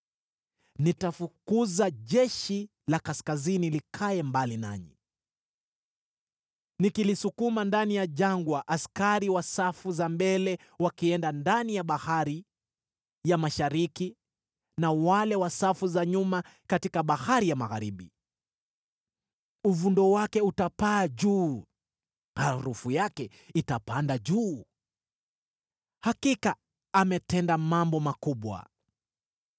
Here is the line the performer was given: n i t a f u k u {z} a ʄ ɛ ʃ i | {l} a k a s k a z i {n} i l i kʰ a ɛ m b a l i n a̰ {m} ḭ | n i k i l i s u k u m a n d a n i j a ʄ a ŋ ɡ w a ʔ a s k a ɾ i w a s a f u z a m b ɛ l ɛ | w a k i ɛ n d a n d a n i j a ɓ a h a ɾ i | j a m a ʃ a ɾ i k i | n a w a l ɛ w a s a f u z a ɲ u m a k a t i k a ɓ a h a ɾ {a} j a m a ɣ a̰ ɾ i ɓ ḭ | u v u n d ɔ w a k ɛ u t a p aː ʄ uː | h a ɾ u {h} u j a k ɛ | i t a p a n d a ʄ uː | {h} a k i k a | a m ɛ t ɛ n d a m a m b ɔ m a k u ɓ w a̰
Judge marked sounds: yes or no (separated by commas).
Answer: yes, yes, yes, no, no, no, yes